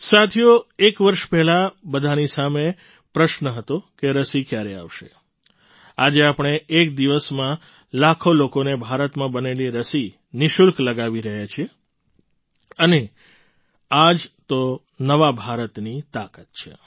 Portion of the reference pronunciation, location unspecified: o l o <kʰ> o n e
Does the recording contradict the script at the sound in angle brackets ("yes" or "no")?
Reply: yes